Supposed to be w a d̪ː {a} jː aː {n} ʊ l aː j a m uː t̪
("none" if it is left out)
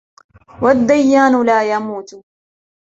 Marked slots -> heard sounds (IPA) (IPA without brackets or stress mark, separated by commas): a, n